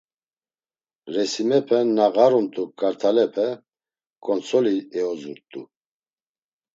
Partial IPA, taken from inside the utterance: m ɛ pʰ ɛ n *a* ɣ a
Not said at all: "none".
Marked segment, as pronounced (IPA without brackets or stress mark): a